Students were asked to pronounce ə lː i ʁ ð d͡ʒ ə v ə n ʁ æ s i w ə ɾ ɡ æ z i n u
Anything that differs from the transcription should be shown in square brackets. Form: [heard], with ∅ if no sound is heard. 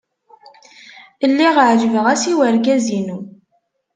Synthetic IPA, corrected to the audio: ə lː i ʁ [ʕ] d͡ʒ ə v ə [∅] ʁ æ s i w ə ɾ ɡ æ z i n u